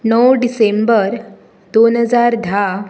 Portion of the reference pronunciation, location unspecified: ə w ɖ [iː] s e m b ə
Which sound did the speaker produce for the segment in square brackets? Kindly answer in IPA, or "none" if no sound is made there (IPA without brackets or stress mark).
i